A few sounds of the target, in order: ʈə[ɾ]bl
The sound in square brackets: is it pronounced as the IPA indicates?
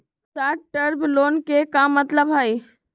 yes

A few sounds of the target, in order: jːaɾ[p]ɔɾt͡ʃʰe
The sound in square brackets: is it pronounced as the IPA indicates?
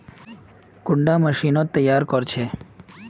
no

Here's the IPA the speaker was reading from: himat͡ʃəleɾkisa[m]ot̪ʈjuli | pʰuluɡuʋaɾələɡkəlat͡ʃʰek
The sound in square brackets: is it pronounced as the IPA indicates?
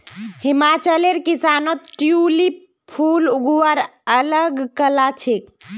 no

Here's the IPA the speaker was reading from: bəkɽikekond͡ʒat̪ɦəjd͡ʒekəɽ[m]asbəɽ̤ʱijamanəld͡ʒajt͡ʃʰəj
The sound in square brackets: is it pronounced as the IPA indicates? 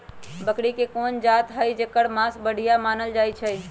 yes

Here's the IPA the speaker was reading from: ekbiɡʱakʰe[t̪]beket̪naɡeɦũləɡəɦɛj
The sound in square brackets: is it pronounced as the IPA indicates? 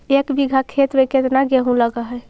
yes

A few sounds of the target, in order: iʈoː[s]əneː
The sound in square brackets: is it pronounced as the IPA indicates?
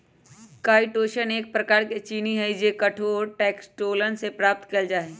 no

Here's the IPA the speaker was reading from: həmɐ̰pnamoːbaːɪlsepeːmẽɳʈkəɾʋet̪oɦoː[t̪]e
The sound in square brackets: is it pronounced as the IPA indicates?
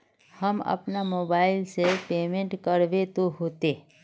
yes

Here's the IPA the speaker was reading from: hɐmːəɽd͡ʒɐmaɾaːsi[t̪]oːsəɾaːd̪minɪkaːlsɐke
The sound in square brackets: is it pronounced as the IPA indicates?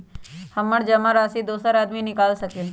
no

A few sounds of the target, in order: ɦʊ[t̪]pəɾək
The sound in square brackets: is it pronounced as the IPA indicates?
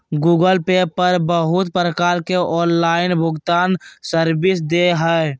yes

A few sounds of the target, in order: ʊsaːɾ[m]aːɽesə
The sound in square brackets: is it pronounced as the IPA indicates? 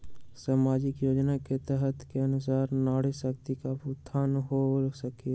no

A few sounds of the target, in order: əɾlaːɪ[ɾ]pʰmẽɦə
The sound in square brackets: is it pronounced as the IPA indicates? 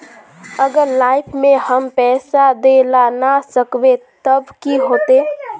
no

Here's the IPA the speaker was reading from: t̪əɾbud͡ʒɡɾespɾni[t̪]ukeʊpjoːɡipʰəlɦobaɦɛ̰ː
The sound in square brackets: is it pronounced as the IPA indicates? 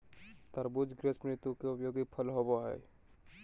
yes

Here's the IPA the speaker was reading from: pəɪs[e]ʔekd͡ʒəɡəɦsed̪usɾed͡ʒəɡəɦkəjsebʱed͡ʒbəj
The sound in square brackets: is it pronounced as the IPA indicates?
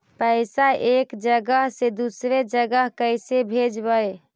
no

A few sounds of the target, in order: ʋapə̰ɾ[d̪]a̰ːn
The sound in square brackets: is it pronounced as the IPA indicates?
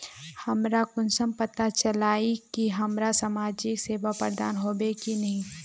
yes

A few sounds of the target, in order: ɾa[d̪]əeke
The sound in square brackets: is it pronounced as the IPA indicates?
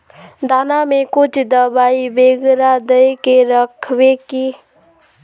yes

